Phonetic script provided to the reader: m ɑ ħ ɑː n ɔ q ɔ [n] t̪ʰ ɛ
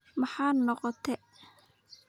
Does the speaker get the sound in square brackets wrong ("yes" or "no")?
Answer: yes